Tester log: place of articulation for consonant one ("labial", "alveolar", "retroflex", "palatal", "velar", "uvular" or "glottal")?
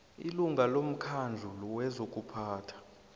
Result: alveolar